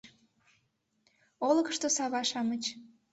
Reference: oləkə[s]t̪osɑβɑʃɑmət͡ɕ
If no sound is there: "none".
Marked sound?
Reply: ʃ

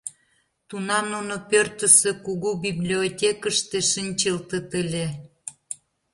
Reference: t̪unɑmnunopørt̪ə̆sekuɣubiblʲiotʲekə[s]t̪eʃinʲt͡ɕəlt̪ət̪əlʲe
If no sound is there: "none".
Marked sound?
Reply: ʃ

